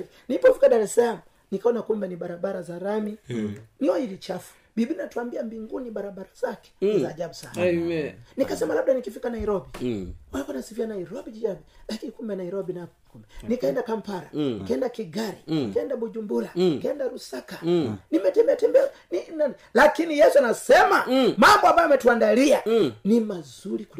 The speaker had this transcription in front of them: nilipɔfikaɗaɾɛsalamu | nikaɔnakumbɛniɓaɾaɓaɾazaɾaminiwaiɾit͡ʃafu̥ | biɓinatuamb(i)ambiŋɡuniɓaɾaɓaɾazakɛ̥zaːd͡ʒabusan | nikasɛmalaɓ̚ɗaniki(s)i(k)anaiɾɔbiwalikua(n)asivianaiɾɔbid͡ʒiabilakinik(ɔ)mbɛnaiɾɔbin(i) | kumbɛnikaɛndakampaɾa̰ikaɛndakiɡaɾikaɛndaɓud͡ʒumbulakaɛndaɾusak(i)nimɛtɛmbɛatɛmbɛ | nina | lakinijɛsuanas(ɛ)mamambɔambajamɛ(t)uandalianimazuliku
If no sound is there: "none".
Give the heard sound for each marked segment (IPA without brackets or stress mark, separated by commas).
i, f, k, n, u, a, a, ɛ, t